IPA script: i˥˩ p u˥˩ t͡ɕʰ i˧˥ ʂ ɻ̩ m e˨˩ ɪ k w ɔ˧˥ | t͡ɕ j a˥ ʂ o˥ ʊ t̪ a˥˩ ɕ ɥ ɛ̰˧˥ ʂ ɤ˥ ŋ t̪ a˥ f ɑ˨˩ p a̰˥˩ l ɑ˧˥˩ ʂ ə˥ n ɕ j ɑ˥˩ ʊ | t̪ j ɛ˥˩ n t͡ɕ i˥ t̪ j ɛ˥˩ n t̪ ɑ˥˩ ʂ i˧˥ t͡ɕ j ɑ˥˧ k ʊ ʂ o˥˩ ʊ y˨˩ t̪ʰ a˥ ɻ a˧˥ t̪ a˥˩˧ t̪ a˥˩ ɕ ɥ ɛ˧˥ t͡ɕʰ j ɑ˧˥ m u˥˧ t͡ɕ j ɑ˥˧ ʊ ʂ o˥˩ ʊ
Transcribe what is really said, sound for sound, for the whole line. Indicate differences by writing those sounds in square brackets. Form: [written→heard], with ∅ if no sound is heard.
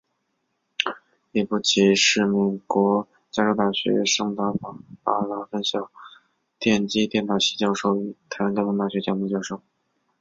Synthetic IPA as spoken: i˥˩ p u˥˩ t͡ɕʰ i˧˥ ʂ ɻ̩ m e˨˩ ɪ k w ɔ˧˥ | t͡ɕ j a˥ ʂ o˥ ʊ t̪ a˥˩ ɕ ɥ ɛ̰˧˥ ʂ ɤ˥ ŋ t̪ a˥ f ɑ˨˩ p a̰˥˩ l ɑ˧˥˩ [ʂ→f] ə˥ n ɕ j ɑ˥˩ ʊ | t̪ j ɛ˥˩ n t͡ɕ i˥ t̪ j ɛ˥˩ n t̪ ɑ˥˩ [ʂ→ɕ] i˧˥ t͡ɕ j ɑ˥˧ [k→∅] ʊ ʂ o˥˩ ʊ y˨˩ t̪ʰ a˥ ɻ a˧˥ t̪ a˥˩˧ t̪ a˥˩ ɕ ɥ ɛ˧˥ [t͡ɕʰ→t͡ɕ] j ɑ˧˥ m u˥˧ t͡ɕ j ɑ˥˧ ʊ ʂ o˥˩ ʊ